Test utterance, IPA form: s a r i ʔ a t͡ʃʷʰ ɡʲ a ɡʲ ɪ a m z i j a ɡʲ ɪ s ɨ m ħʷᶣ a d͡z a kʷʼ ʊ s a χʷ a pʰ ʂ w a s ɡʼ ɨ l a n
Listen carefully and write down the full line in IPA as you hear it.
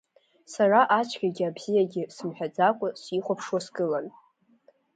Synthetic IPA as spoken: s a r a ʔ a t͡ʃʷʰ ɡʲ a ɡʲ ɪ a b z i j a ɡʲ ɪ s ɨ m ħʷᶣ a d͡z a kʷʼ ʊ s i χʷ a pʰ ʂ w a s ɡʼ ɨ l a n